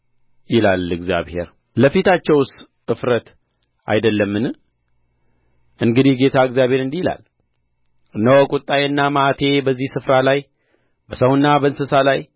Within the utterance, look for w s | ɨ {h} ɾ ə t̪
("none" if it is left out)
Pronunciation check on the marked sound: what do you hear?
f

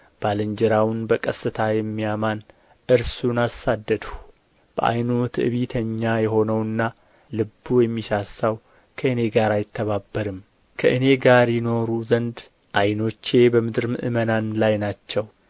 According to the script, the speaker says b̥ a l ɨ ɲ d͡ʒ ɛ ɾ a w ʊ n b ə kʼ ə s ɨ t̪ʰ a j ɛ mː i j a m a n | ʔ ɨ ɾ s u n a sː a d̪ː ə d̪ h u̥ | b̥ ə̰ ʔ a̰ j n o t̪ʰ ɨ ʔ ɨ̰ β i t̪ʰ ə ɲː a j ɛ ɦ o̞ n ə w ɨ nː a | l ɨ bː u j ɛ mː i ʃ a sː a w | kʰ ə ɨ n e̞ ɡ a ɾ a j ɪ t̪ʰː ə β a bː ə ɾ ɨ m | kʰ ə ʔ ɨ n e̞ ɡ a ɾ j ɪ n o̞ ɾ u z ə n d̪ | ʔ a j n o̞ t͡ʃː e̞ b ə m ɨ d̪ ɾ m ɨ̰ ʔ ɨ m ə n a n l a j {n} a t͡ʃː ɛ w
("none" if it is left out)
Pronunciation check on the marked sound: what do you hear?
n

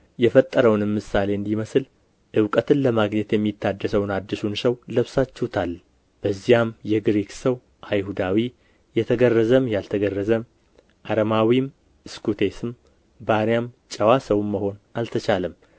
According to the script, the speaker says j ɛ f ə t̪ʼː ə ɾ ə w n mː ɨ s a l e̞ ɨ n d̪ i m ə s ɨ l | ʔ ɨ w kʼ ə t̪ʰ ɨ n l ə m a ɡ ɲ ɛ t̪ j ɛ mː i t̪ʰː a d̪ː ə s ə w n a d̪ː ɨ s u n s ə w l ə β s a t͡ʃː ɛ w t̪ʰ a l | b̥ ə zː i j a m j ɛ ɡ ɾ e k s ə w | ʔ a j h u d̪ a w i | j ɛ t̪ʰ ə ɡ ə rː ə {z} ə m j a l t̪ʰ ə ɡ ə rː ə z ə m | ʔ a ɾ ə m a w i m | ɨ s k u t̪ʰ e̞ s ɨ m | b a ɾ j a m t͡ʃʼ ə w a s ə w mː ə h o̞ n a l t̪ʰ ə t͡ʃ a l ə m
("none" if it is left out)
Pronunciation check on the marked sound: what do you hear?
z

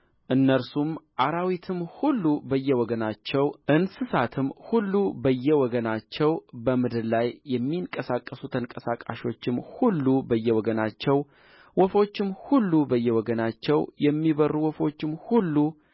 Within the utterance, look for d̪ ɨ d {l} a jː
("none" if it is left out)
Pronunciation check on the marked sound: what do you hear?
l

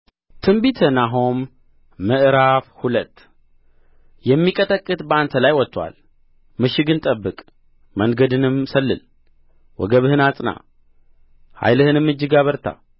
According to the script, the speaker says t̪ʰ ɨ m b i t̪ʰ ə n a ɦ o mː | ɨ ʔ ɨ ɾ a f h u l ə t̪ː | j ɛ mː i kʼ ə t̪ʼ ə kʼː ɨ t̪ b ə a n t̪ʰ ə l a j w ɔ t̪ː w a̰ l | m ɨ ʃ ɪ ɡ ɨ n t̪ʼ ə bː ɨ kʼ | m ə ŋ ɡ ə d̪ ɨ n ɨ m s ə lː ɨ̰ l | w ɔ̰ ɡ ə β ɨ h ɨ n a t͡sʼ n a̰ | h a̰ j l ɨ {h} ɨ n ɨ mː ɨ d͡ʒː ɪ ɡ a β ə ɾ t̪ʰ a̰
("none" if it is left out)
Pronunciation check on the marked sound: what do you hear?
h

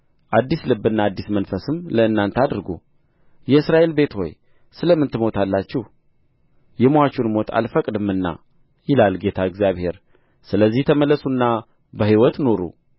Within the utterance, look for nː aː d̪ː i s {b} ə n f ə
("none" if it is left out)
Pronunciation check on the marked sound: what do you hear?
m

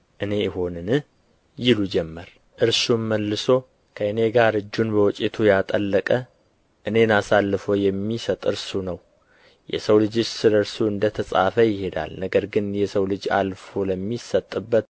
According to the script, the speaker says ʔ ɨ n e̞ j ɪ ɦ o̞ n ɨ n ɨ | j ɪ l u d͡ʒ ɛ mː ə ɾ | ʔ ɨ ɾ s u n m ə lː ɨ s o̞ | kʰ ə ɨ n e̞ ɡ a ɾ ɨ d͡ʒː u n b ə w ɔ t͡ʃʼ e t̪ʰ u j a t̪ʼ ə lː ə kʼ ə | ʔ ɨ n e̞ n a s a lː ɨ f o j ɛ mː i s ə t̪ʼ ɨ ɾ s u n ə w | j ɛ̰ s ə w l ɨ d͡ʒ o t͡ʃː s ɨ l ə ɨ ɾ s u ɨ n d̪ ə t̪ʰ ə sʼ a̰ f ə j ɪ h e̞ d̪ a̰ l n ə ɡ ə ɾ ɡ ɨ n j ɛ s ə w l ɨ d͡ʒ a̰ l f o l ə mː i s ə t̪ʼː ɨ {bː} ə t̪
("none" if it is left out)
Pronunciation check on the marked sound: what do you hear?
bː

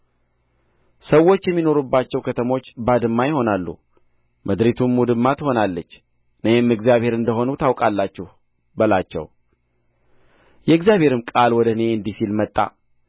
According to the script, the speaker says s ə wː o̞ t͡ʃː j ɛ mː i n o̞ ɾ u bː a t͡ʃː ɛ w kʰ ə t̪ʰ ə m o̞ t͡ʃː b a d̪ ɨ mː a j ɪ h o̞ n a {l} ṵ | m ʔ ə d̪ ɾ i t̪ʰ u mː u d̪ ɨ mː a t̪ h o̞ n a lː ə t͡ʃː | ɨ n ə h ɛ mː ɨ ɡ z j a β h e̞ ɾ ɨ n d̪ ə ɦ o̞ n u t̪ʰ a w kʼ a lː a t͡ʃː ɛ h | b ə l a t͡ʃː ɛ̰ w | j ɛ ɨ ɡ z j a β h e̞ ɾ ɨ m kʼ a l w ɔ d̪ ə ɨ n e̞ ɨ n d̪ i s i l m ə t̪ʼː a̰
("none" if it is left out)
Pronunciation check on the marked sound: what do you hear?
lː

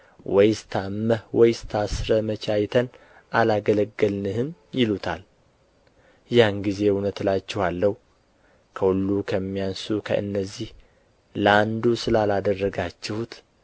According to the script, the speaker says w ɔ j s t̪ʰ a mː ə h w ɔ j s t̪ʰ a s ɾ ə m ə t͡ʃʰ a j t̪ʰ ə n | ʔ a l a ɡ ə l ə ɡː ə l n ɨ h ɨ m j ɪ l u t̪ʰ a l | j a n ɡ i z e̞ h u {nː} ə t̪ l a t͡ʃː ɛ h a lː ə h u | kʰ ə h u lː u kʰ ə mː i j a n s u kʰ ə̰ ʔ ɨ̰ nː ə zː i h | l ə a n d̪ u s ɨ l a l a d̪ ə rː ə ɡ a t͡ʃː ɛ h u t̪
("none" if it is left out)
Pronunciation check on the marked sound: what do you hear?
n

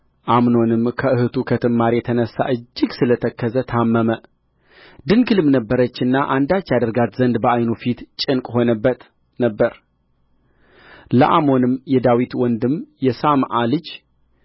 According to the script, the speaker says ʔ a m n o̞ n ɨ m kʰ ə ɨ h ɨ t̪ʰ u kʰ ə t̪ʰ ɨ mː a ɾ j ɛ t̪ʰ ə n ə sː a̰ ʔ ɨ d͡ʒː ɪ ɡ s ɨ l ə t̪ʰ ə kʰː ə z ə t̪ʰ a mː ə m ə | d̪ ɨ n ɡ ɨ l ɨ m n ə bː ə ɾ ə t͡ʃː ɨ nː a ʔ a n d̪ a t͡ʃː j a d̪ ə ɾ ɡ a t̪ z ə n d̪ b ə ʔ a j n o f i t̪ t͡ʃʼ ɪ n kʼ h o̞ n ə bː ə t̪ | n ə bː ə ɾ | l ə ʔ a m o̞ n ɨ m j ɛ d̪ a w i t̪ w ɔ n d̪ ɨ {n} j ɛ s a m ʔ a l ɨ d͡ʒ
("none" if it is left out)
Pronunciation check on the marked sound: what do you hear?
m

